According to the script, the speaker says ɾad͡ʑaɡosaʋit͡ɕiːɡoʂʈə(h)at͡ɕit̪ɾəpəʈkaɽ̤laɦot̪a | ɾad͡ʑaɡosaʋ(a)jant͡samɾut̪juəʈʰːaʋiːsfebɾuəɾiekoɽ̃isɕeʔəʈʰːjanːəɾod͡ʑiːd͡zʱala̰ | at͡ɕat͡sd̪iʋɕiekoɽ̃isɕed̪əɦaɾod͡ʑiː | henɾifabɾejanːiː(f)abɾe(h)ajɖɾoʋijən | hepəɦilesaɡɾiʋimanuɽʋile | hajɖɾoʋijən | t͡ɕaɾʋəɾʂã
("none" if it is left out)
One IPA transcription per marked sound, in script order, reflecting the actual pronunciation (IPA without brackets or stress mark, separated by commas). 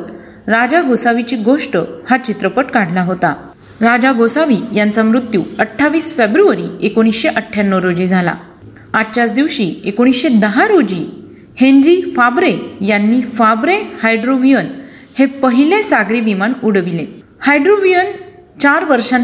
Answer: h, i, f, h